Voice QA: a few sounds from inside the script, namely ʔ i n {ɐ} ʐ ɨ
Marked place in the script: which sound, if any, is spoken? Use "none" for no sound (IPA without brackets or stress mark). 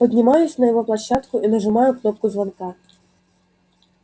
ɐ